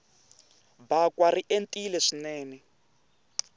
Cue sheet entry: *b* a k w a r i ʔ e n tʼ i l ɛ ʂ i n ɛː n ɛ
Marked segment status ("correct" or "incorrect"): correct